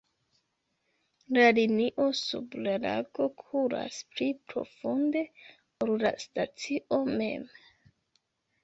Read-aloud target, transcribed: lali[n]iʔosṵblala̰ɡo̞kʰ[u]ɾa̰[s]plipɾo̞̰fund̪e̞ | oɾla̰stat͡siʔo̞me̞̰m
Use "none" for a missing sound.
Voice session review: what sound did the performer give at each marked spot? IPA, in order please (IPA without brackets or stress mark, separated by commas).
n, u, s